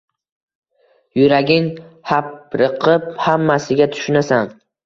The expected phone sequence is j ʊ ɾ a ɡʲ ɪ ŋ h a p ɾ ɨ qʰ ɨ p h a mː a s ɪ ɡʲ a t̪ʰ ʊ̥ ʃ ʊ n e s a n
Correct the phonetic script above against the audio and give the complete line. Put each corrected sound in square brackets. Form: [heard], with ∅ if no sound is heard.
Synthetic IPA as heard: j ʊ ɾ a ɡʲ ɪ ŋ h a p ɾ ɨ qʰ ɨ p h a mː a s ɪ ɡʲ a t̪ʰ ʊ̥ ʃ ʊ n [a] s a n